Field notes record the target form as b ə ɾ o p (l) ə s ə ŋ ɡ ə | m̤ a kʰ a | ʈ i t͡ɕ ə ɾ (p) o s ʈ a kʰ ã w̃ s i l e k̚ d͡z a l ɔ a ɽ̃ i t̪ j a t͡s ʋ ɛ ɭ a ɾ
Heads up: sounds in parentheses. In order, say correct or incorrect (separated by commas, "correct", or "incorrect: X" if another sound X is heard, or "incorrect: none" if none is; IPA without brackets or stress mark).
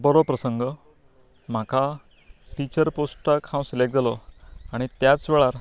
incorrect: ɾ, correct